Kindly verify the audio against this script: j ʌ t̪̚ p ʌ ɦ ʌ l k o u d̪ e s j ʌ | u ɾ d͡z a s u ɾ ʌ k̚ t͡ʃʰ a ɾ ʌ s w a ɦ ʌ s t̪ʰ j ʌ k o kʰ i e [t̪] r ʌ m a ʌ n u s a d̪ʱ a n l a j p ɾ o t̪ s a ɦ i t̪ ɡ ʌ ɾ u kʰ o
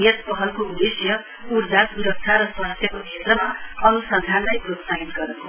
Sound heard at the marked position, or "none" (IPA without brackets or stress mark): t̪